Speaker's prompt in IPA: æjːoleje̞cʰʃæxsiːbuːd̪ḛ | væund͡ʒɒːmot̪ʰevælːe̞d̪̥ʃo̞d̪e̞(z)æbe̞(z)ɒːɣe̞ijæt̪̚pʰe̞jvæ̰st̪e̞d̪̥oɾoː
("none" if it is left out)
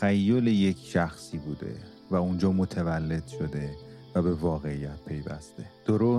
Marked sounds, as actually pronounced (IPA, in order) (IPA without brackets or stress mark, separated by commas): v, v